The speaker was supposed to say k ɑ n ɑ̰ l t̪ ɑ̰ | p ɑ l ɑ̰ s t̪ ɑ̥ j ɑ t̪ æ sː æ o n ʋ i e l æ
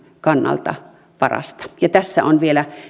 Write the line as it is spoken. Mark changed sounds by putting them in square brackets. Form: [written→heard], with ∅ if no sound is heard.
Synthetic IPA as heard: k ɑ [n→nː] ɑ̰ l t̪ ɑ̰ | p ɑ [l→r] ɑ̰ s t̪ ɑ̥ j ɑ t̪ æ sː æ o n ʋ i e l æ